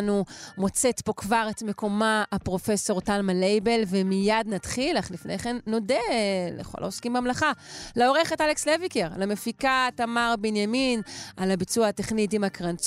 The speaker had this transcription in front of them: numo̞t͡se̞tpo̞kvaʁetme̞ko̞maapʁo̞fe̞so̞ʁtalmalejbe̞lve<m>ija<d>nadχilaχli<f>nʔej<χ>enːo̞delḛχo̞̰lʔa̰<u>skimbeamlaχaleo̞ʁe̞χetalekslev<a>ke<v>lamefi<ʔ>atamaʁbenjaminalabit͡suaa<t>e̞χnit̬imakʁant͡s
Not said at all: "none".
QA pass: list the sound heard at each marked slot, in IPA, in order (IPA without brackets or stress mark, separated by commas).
m, d, f, χ, o, i, ʁ, k, t